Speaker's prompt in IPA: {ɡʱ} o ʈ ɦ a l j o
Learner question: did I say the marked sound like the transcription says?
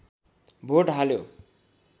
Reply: no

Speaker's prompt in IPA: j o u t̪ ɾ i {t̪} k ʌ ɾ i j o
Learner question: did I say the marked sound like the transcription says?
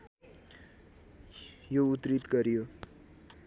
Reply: yes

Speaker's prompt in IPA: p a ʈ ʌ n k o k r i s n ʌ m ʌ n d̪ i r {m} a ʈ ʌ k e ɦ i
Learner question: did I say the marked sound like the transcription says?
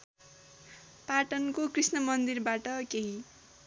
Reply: no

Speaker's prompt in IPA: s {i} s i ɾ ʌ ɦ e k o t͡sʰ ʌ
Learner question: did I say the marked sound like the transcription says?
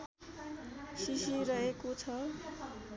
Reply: yes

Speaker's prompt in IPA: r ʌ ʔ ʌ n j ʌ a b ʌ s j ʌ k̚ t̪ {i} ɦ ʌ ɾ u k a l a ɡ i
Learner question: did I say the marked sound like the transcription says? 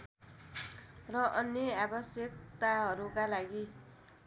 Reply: no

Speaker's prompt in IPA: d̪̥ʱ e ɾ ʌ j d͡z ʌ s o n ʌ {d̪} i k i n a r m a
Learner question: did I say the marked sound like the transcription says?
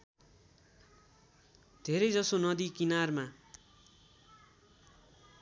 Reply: yes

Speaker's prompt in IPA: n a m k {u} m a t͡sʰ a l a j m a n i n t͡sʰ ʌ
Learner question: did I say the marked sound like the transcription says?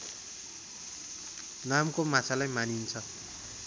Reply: no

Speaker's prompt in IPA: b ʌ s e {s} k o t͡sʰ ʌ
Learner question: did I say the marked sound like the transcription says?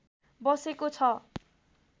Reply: no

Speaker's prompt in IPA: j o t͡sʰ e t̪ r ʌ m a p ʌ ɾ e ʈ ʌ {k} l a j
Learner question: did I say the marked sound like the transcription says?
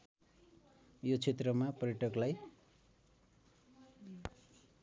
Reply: yes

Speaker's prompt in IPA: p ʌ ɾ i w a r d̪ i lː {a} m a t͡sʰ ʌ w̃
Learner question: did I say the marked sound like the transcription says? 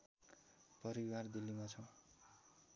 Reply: no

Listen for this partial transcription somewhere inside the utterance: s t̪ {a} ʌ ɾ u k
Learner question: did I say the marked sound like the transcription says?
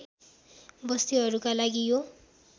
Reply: no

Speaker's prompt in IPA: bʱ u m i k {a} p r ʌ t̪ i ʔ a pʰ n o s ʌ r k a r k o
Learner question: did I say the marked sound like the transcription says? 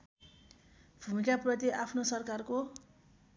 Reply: yes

